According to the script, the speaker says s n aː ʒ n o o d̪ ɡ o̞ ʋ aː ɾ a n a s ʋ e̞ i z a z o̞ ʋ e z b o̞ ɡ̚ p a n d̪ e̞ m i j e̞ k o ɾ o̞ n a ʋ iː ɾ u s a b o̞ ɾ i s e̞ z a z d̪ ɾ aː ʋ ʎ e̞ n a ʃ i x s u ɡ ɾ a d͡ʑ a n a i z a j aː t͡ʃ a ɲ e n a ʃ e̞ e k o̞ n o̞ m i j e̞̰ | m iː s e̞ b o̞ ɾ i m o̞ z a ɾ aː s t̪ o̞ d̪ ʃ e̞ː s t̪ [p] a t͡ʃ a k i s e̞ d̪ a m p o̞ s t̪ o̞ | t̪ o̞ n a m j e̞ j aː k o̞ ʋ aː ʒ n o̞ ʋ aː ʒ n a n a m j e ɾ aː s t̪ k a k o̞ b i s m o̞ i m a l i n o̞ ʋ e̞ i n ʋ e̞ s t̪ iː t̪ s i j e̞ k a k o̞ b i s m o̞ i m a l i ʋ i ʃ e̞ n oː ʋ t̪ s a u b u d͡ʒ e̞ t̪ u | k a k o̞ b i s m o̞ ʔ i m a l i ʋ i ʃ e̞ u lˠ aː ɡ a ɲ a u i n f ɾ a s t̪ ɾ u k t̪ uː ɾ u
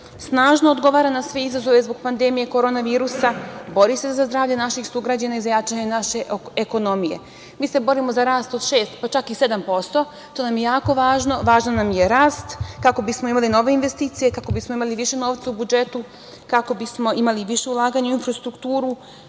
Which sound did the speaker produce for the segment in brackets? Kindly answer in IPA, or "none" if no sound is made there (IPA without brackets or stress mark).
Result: p